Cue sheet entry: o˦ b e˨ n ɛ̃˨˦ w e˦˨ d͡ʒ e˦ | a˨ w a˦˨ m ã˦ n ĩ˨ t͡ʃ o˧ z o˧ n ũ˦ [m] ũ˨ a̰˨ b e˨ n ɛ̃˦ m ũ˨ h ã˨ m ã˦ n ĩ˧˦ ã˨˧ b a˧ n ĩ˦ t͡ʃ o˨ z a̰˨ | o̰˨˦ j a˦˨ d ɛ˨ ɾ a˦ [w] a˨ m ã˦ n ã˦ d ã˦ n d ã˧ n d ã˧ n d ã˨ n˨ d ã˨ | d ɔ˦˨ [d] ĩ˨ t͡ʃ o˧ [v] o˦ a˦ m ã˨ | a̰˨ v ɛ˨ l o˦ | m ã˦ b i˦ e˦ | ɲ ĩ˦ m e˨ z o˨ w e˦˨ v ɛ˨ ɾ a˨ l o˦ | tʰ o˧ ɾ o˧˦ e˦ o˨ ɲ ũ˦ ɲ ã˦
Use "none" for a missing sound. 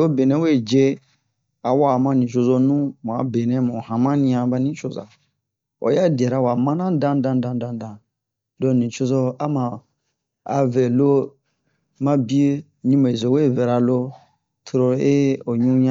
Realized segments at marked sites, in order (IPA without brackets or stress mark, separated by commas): m, w, n, z